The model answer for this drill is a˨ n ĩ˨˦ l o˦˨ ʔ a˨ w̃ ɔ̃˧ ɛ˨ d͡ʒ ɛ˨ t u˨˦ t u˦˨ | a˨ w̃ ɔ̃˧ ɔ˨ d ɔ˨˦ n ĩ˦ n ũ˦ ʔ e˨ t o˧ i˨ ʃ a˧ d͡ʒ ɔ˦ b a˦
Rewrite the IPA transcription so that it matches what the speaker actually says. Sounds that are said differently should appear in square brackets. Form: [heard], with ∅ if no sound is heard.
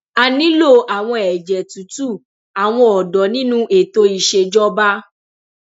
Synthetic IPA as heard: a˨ n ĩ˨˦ l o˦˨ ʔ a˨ w̃ ɔ̃˧ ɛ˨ d͡ʒ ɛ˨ t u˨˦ t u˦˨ | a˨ w̃ ɔ̃˧ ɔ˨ d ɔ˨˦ n ĩ˦ n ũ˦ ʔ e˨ t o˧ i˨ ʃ [e˧] d͡ʒ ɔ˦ b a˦

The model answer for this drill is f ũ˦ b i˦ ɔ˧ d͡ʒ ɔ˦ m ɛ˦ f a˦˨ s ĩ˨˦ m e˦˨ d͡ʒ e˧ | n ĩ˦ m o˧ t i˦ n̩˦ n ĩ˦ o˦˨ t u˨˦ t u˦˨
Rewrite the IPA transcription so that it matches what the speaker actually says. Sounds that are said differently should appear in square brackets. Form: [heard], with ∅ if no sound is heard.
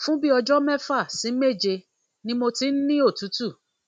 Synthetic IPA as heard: f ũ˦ b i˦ ɔ˧ d͡ʒ ɔ˦ m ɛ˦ f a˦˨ s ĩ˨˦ m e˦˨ d͡ʒ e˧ | n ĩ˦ m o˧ t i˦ n̩˦ n ĩ˦ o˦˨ t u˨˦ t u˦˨

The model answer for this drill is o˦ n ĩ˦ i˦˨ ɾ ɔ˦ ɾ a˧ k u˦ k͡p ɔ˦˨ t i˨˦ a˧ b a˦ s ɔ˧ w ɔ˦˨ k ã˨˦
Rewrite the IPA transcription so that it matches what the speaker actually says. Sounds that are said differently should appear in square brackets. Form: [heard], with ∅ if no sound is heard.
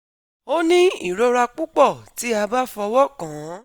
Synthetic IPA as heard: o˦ n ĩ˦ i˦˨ ɾ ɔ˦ ɾ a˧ [k͡p] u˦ k͡p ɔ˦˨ t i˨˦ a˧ b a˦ [f] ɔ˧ w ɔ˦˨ k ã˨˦

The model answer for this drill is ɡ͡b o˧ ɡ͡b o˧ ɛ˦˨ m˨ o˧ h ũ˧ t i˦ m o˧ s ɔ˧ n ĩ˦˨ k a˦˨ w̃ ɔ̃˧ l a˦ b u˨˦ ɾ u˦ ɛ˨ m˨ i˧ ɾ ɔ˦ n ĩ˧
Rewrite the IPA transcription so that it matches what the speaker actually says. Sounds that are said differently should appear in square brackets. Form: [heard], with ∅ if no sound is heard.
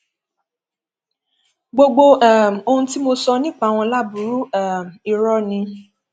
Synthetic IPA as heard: ɡ͡b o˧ ɡ͡b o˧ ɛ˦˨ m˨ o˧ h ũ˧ t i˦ m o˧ s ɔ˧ n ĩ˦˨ [k͡p] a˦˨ w̃ ɔ̃˧ l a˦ b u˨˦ ɾ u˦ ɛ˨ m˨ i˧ ɾ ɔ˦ n ĩ˧

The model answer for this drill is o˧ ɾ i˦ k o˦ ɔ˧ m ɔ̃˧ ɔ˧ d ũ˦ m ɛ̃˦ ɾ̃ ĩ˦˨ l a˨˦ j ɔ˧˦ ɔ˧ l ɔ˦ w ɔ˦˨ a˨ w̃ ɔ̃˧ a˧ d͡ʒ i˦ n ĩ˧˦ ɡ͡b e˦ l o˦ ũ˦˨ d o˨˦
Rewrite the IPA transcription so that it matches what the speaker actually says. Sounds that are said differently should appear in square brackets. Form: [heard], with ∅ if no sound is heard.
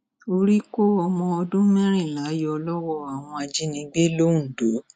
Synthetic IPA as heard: o˧ ɾ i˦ k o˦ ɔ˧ m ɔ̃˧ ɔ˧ d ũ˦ m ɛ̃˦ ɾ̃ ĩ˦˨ l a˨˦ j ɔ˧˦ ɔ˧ l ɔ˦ w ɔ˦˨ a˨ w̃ ɔ̃˧ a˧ d͡ʒ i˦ n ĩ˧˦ ɡ͡b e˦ l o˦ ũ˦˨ d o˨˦

